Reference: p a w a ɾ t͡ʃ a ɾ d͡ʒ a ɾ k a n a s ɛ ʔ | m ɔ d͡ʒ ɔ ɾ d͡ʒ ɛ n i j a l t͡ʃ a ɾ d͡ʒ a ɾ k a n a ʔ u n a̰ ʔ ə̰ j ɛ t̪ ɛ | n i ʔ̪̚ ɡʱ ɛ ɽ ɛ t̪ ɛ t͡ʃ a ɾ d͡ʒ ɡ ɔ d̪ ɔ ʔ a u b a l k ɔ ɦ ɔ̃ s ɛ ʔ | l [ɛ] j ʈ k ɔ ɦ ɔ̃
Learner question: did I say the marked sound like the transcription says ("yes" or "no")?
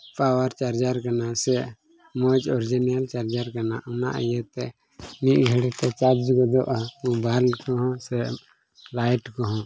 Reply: no